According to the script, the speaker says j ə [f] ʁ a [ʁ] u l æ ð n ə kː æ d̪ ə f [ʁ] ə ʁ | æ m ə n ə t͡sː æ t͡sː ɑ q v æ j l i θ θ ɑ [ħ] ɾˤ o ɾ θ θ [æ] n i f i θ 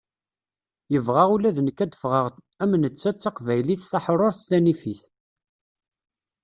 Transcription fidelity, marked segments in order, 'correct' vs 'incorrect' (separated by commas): incorrect, correct, correct, correct, correct